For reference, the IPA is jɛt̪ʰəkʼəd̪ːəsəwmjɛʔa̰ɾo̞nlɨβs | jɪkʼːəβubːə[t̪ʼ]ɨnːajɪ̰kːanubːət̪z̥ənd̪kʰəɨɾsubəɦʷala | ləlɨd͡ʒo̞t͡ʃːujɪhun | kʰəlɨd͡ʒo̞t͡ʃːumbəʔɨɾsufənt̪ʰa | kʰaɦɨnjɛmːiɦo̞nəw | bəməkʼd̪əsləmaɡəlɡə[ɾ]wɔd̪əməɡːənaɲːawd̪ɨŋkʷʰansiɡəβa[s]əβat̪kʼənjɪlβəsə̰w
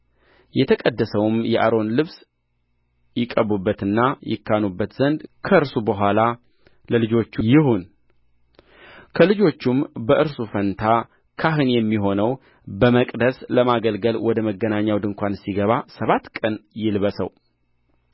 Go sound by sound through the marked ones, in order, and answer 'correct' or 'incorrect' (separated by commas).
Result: incorrect, incorrect, correct